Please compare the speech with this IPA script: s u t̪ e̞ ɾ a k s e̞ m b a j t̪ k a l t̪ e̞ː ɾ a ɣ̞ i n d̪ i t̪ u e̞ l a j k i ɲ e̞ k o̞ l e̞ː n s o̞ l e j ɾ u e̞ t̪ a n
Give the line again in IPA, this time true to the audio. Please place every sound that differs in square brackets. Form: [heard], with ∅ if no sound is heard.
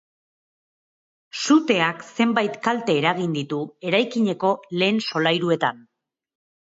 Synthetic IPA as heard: s u t̪ e̞ [∅] a k s e̞ m b a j t̪ k a l t̪ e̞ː ɾ a ɣ̞ i n d̪ i t̪ u e̞ [ɾ] a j k i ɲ e̞ k o̞ l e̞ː n s o̞ l [a] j ɾ u e̞ t̪ a n